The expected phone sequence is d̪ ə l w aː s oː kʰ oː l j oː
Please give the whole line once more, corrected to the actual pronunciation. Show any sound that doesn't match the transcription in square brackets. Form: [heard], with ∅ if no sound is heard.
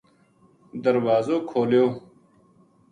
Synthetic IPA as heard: d̪ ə [ɾ] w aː [z] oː kʰ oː l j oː